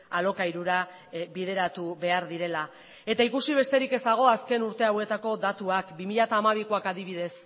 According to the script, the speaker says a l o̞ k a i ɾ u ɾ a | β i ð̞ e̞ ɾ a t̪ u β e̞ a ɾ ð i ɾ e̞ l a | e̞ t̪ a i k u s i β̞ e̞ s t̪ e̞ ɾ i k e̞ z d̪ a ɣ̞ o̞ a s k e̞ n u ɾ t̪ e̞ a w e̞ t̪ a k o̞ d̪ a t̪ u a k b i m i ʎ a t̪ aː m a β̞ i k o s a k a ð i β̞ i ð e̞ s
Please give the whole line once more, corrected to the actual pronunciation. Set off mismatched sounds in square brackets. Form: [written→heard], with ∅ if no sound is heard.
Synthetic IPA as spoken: a l o̞ k a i ɾ u ɾ a | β i ð̞ e̞ ɾ a t̪ u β e̞ a ɾ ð i ɾ e̞ l a | e̞ t̪ a i k u s i β̞ e̞ s t̪ e̞ ɾ i k e̞ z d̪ a ɣ̞ o̞ a s k e̞ n u ɾ t̪ e̞ a w e̞ t̪ a k o̞ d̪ a t̪ u a k b i m i ʎ a t̪ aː m a β̞ i k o [s→∅] a k a ð i β̞ i ð e̞ s

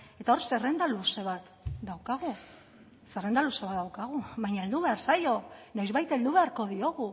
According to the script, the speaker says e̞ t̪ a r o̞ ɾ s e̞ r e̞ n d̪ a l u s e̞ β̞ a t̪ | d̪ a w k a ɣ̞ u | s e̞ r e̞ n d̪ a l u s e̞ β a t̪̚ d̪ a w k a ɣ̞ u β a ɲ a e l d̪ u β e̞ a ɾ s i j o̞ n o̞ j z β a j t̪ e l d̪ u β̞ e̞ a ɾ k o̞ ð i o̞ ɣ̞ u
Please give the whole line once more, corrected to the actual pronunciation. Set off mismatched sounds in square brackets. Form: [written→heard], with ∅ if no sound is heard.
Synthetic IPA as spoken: e̞ t̪ a [r→∅] o̞ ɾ s e̞ r e̞ n d̪ a l u s e̞ β̞ a t̪ | d̪ a w k a ɣ̞ u | s e̞ r e̞ n d̪ a l u s e̞ β a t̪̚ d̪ a w k a ɣ̞ u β a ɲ a e l d̪ u β e̞ a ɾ s [i→a] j o̞ n o̞ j z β a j t̪ e l d̪ u β̞ e̞ a ɾ k o̞ ð i o̞ ɣ̞ u

